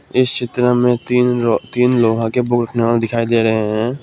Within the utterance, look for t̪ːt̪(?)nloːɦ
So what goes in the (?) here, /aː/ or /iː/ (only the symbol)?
iː